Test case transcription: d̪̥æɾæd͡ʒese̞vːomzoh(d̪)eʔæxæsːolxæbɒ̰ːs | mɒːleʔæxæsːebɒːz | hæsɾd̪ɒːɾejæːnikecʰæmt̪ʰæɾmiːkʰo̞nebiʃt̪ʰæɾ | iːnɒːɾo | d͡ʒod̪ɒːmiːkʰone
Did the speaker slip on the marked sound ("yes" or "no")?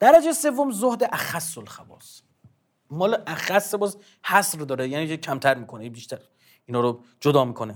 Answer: no